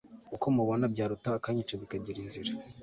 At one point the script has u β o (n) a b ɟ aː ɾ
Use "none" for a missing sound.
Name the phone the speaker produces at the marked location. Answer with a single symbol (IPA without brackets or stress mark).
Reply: n